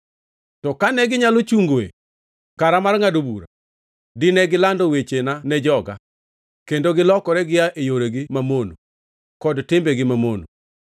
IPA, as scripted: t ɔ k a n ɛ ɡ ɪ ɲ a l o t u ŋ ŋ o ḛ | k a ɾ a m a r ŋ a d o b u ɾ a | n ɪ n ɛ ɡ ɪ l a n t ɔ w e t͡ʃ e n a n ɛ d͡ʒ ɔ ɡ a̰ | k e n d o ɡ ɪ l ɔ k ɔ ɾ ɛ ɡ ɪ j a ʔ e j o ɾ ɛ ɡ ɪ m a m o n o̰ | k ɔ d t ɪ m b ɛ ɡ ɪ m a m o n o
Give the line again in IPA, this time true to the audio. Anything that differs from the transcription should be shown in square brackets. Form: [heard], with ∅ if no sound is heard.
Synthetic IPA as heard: t ɔ k a n ɛ ɡ ɪ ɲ a l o [t͡ʃ] u ŋ [ɡ] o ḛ | k a ɾ a m a r ŋ a d o b u ɾ a | [d] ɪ n ɛ ɡ ɪ l a n [d] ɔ w e t͡ʃ e n a n ɛ d͡ʒ ɔ ɡ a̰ | k e n d o ɡ ɪ l ɔ k ɔ ɾ ɛ ɡ ɪ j a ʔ e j o ɾ [e] ɡ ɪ m a m o n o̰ | k ɔ d t ɪ m b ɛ ɡ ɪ m a m o n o